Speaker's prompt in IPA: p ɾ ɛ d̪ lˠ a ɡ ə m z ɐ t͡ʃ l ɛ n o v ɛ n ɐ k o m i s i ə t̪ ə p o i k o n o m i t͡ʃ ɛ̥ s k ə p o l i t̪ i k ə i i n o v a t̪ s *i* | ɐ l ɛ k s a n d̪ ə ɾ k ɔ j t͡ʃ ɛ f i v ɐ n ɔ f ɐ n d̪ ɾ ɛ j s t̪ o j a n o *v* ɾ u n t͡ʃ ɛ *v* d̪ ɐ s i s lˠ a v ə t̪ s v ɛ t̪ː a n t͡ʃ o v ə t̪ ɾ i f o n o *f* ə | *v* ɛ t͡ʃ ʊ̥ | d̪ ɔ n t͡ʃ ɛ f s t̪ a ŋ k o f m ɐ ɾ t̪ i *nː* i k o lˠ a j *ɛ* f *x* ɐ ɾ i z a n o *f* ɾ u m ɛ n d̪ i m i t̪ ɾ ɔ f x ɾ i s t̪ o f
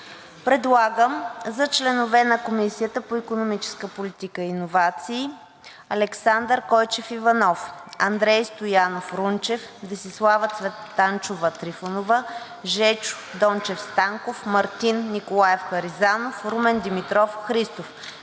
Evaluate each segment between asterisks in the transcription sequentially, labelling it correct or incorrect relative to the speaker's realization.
incorrect: iː, incorrect: f, incorrect: f, incorrect: v, incorrect: ʒ, correct, correct, correct, correct

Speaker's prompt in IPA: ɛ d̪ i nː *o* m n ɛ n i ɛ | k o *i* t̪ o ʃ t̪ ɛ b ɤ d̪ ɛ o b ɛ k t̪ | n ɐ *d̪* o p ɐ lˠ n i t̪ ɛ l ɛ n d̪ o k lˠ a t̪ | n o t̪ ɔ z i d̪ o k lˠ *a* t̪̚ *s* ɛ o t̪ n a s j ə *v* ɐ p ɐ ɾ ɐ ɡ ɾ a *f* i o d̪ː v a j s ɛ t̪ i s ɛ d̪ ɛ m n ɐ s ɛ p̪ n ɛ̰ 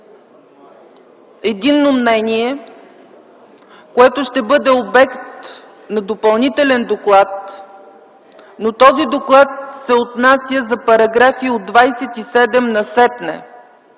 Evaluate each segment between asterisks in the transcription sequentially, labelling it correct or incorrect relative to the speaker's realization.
correct, incorrect: ɛ, correct, correct, correct, incorrect: z, correct

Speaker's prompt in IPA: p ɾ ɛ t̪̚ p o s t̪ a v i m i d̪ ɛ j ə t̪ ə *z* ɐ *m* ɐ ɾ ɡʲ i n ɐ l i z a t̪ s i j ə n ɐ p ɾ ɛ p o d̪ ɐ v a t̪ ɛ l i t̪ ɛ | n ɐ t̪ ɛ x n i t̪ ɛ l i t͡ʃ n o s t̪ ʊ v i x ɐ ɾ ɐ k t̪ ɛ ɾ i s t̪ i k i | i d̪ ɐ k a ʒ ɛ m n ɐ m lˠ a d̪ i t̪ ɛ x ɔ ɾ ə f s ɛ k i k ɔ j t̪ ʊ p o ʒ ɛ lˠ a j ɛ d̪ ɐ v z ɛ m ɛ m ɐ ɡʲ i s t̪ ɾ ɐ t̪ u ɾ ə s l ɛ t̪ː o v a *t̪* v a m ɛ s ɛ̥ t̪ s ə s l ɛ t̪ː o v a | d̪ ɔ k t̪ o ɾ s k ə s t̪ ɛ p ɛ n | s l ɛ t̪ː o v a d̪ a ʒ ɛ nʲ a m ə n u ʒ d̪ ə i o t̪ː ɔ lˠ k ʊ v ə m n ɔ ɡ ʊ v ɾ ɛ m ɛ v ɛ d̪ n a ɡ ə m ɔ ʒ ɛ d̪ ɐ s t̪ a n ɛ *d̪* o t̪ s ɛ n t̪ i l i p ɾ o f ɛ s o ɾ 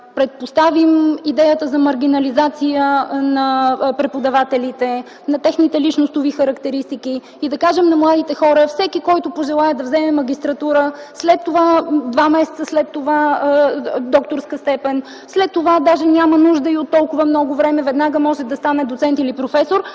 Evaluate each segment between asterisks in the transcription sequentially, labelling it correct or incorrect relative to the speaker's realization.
correct, correct, incorrect: d̪, correct

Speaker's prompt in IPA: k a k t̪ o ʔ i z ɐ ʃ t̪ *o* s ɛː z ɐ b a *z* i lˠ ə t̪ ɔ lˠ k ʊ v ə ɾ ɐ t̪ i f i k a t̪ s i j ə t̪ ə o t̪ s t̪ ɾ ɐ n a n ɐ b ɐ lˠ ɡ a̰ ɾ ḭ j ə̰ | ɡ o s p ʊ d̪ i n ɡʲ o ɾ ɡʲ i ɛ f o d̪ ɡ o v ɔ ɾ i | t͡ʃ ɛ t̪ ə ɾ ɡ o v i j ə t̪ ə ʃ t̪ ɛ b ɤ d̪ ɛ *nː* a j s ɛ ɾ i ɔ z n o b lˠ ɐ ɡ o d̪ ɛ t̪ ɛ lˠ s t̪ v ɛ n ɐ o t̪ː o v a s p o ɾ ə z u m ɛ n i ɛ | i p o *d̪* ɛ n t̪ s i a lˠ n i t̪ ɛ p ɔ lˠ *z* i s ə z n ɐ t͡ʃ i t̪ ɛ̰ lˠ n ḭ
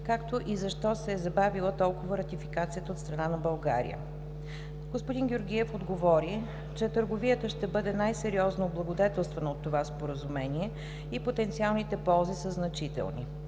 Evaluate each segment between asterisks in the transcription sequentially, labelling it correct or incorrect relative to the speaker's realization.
incorrect: ɔ, incorrect: v, incorrect: n, incorrect: t̪, correct

